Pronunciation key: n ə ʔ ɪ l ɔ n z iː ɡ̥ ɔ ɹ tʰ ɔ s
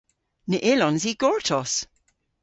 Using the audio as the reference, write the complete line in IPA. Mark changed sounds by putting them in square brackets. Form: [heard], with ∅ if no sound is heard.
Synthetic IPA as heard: n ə ʔ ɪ l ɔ n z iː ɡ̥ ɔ ɹ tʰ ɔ s